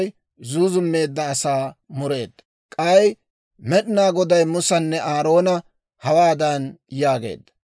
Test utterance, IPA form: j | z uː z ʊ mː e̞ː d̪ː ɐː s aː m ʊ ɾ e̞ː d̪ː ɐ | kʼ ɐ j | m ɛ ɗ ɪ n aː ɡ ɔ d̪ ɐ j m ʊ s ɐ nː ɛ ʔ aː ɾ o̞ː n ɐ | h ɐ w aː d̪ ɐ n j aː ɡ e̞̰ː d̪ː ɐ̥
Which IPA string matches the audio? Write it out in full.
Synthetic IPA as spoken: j | z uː z ʊ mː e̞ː d̪ː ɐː s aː m ʊ ɾ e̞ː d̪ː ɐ | kʼ ɐ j | m ɛ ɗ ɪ n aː ɡ ɔ d̪ ɐ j m ʊ s ɐ nː ɛ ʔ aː ɾ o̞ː n ɐ | h ɐ w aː d̪ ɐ n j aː ɡ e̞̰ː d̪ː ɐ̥